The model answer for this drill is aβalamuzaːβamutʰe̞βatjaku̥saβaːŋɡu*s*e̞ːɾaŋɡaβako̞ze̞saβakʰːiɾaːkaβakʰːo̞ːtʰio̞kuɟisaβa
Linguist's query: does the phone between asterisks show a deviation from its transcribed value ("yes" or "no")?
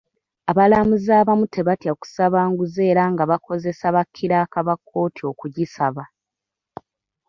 yes